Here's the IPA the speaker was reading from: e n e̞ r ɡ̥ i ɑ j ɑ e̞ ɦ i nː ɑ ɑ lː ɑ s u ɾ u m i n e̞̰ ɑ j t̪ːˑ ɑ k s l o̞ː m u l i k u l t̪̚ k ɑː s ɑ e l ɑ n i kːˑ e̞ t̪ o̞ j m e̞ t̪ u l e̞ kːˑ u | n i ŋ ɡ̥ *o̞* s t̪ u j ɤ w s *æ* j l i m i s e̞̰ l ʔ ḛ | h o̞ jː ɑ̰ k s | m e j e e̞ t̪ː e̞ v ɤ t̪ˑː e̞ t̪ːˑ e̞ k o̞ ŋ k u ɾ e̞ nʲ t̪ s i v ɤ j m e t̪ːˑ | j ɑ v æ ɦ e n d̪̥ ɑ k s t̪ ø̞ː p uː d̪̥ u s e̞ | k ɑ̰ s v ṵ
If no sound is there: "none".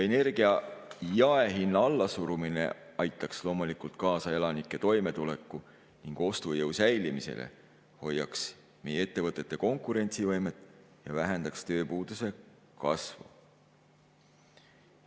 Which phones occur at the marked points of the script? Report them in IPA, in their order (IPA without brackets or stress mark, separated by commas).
o̞, æ